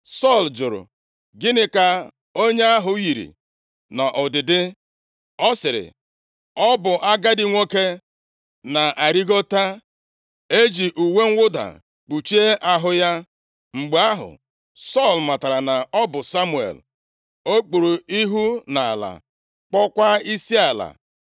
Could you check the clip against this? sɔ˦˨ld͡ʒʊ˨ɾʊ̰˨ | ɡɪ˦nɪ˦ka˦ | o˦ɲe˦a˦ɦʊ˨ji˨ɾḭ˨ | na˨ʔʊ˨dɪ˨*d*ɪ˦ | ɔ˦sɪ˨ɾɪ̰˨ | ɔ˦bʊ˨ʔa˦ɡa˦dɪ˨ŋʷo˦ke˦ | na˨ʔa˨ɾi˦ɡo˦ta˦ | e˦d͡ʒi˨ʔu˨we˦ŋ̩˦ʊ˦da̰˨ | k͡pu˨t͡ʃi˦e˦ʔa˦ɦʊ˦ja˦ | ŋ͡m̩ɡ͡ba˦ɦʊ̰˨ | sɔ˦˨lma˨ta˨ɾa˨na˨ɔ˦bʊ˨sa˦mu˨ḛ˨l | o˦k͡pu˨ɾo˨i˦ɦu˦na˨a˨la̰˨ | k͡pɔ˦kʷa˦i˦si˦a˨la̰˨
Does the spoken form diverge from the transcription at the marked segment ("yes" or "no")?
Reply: no